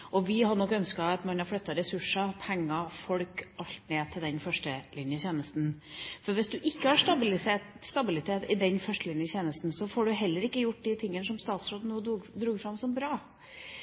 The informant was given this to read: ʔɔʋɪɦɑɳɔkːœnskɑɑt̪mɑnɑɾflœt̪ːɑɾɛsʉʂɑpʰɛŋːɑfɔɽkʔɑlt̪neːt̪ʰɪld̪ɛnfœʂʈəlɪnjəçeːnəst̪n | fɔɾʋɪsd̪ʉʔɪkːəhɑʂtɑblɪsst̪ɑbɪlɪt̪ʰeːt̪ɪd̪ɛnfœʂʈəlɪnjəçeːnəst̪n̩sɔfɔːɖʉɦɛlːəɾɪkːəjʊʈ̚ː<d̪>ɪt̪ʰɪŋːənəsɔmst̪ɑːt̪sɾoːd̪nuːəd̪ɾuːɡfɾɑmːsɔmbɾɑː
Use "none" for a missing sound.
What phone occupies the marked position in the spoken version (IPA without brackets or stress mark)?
d̪